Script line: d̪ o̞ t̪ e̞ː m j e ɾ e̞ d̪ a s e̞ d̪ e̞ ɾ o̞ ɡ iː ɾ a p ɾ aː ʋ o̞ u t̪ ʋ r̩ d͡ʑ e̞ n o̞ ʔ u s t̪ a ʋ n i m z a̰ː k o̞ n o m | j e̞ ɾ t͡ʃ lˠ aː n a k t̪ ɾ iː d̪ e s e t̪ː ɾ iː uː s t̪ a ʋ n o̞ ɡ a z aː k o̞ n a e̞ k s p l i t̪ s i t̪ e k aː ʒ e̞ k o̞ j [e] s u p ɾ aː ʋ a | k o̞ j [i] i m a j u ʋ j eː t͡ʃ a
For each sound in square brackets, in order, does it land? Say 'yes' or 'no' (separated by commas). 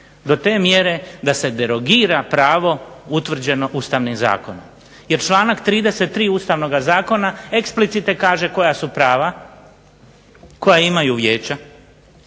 no, no